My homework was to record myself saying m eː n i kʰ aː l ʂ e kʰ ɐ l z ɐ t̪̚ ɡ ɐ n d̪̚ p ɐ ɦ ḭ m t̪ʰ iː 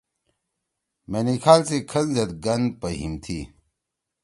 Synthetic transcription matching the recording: m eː n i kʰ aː l s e kʰ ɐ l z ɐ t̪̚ ɡ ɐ n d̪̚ p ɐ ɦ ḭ m t̪ʰ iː